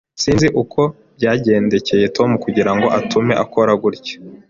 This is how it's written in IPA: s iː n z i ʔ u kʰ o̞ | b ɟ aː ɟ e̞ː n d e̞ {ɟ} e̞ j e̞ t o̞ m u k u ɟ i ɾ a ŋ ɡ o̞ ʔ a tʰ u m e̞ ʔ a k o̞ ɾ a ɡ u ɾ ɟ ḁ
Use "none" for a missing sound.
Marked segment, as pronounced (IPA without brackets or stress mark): c